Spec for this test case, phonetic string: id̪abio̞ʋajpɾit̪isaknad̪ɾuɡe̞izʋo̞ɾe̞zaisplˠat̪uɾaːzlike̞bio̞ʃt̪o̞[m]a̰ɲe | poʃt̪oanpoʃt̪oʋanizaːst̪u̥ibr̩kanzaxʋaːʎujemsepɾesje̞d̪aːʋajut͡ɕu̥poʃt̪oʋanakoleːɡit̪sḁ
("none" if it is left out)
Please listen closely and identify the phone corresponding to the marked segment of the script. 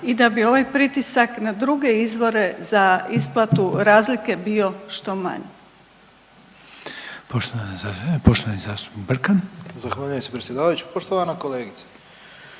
m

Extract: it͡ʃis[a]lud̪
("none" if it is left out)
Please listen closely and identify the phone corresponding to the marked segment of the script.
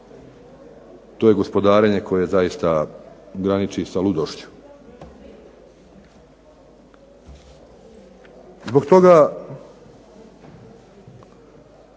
a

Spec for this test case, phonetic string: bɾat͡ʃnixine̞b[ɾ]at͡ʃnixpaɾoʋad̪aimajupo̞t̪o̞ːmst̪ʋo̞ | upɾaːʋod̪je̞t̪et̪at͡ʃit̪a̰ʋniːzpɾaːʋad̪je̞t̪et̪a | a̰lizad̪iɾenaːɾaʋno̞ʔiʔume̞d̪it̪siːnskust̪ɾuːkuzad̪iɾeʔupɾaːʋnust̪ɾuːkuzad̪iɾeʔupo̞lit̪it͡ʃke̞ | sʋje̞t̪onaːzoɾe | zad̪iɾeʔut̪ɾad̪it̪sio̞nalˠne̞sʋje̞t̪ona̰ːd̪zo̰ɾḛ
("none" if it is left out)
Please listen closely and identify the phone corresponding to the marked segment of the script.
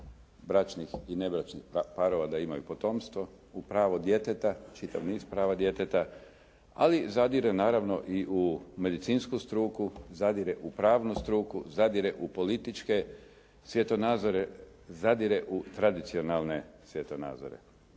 ɾ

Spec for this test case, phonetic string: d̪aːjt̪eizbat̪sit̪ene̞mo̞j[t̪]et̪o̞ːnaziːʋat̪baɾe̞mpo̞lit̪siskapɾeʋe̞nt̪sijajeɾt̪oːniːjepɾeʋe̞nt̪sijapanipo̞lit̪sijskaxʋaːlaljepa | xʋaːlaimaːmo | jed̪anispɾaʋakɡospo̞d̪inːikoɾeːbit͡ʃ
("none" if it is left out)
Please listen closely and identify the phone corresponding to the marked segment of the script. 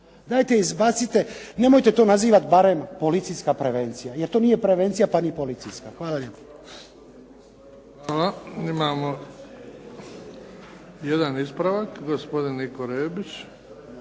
t̪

